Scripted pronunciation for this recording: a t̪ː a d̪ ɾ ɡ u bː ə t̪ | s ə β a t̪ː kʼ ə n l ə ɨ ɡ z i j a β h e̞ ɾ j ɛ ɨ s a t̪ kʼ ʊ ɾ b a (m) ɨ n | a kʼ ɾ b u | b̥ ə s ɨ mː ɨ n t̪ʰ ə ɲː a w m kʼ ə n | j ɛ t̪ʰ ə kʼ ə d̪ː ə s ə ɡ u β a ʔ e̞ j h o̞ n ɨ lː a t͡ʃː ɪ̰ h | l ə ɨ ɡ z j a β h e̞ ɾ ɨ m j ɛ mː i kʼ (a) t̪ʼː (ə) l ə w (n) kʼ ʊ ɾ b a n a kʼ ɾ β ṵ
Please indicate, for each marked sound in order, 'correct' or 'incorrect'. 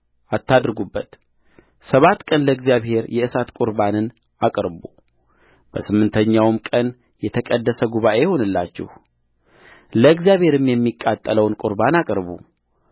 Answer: incorrect, correct, correct, correct

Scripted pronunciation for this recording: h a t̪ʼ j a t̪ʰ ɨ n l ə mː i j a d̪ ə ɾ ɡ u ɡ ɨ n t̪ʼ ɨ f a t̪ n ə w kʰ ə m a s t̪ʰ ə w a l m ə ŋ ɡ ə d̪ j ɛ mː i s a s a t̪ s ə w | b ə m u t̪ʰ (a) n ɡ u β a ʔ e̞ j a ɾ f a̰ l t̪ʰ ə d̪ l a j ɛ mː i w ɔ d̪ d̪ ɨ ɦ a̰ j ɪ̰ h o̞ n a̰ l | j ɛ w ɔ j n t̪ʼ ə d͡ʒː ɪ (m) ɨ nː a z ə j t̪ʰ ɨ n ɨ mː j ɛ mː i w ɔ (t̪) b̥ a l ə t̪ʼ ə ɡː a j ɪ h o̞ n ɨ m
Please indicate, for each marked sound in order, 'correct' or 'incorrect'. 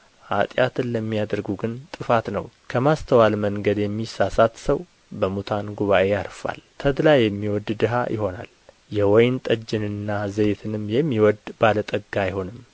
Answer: correct, incorrect, incorrect

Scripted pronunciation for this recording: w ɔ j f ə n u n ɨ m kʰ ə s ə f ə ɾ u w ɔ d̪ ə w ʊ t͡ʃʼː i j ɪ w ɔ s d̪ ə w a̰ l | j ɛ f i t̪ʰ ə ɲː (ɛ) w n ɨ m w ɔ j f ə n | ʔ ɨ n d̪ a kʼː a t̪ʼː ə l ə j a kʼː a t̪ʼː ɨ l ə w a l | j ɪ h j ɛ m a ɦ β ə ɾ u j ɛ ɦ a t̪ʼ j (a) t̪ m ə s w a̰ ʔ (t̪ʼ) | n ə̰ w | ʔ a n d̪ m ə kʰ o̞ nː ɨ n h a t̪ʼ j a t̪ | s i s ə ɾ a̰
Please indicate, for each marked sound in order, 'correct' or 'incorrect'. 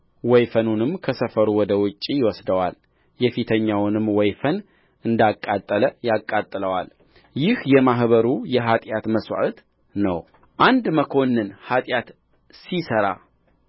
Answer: incorrect, correct, incorrect

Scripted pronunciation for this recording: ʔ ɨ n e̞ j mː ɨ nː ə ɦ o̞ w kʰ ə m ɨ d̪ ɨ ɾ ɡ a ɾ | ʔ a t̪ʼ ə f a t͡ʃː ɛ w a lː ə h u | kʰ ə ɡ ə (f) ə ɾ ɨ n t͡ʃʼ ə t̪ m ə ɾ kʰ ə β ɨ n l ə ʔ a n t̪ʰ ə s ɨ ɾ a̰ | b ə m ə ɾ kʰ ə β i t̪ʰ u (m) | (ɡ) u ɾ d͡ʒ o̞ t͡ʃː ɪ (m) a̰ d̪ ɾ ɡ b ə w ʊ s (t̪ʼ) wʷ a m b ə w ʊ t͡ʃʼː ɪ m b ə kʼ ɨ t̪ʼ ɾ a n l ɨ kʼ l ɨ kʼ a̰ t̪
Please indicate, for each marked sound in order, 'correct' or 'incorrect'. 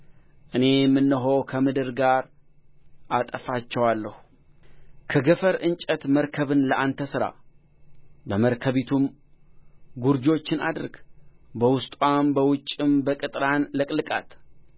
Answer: correct, correct, correct, incorrect, correct

